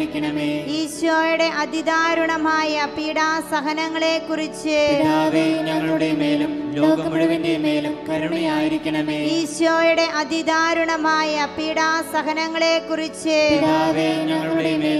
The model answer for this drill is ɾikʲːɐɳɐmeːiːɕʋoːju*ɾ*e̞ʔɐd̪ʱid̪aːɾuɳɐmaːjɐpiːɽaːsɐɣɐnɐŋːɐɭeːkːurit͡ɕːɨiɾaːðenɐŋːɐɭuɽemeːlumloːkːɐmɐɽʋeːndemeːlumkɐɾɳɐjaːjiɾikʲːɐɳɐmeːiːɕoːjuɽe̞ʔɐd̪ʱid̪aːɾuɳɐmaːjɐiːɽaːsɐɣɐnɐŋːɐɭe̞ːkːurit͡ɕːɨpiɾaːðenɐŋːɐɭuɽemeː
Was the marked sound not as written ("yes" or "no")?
yes